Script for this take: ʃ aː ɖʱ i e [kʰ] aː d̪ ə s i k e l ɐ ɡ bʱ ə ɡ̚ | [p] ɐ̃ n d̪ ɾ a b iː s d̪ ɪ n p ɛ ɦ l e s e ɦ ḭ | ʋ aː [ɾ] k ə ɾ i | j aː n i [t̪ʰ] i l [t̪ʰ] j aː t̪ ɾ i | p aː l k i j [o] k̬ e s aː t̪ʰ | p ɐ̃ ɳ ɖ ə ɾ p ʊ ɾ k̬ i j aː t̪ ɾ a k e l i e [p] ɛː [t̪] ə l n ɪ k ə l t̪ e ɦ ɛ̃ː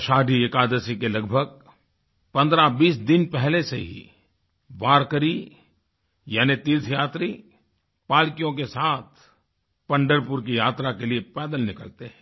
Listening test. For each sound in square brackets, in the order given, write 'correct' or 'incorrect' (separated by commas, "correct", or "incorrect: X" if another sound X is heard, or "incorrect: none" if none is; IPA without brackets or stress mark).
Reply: incorrect: k, correct, correct, incorrect: t̪, correct, incorrect: õ, correct, incorrect: d̪